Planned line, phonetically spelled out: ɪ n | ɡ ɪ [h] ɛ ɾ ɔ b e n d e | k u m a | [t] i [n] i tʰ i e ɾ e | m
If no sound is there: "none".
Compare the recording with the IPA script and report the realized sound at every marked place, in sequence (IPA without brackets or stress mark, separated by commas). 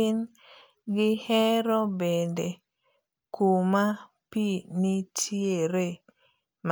h, p, n